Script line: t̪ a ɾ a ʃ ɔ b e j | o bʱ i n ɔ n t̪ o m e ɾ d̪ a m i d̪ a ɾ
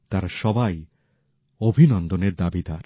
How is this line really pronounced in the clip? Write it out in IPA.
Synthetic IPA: t̪ a ɾ a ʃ ɔ b a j | o bʱ i n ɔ n d̪ o n e ɾ d̪ a b i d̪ a ɾ